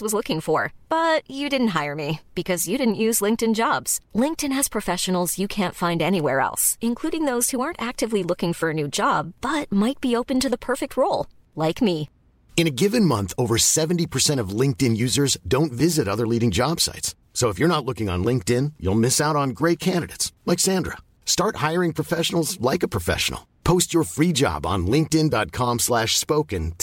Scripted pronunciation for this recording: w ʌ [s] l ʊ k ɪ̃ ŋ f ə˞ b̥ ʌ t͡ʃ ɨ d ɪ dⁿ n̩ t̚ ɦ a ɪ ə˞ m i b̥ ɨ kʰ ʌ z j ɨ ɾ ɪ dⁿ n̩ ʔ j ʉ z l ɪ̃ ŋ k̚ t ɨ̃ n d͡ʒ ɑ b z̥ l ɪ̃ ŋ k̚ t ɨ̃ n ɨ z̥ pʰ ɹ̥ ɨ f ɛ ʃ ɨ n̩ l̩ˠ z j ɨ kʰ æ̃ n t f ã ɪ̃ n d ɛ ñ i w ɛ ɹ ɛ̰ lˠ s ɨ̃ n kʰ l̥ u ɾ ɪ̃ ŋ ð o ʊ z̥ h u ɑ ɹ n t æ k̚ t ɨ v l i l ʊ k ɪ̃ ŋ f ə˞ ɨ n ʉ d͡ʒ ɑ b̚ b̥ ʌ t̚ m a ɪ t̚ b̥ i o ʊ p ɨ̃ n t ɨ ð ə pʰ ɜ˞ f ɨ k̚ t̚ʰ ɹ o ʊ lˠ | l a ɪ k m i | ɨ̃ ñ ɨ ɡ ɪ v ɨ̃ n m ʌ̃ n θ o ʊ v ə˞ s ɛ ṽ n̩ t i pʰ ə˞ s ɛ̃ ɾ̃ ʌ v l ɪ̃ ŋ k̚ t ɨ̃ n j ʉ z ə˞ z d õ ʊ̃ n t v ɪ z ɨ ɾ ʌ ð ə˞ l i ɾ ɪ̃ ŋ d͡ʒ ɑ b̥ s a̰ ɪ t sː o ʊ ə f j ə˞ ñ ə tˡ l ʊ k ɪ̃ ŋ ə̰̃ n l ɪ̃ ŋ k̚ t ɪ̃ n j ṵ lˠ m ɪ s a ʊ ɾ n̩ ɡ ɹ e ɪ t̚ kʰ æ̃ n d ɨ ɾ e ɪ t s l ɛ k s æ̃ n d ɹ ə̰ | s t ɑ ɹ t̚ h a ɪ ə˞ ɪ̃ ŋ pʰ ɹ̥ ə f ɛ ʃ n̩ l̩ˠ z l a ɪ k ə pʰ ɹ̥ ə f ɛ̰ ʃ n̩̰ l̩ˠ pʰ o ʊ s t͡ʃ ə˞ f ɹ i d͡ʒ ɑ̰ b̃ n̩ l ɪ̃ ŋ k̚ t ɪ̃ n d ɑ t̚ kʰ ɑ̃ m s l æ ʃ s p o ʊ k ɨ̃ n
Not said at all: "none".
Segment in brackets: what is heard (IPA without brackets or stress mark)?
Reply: z